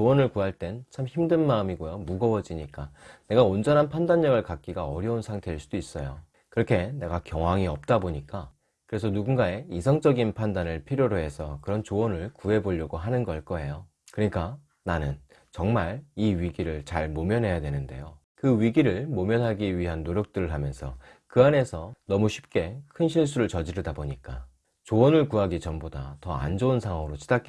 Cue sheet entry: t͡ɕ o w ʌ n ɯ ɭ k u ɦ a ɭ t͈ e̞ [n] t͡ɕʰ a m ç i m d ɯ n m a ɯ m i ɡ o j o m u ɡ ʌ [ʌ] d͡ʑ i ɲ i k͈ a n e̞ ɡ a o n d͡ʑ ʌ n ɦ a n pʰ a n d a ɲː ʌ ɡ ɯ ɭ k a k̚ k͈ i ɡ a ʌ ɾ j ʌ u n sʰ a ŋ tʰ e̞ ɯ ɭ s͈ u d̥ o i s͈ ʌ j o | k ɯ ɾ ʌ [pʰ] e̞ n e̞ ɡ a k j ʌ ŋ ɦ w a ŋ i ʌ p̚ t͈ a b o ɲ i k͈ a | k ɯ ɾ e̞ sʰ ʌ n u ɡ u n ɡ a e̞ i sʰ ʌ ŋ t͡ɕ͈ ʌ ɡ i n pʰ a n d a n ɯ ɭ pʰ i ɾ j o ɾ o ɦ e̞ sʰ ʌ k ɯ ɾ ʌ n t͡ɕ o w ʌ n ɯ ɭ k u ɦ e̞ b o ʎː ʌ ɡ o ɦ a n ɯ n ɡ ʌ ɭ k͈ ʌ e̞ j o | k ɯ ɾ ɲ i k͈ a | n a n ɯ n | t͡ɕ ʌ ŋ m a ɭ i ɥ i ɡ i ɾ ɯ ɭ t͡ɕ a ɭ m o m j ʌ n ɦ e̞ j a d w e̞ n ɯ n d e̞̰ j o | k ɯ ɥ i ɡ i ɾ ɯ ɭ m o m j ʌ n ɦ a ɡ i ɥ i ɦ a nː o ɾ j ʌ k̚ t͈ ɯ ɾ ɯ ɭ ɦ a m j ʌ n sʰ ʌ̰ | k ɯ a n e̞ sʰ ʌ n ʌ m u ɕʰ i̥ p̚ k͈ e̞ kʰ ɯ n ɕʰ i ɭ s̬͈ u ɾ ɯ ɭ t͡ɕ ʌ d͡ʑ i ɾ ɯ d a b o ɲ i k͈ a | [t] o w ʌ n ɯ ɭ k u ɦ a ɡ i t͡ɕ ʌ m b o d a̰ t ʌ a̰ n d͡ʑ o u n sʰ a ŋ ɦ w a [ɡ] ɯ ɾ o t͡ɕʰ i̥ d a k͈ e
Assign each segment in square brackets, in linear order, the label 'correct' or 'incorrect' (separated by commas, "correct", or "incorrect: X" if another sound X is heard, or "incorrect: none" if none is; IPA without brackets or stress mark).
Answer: correct, correct, incorrect: kʰ, incorrect: t͡ɕ, incorrect: ŋ